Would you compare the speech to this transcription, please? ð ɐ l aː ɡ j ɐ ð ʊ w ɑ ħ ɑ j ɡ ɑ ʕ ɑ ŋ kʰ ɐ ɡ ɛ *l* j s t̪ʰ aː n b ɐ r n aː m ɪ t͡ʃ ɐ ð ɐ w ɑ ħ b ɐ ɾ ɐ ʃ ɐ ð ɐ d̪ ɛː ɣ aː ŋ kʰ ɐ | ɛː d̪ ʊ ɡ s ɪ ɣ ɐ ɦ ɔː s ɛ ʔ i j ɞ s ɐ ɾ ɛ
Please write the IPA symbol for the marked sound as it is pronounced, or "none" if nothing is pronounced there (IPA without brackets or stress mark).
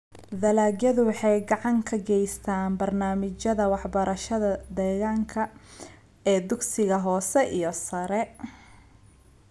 none